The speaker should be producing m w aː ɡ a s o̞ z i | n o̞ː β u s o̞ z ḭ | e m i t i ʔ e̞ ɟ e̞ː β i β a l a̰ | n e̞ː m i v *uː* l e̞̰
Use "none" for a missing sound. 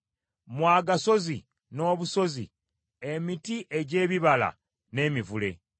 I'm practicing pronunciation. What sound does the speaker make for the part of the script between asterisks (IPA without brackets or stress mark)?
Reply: u